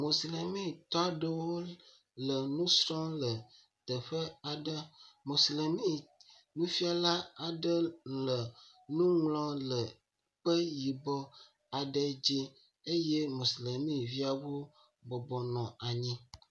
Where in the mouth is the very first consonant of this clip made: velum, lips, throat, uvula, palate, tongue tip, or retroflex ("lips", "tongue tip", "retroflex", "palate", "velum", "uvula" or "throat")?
lips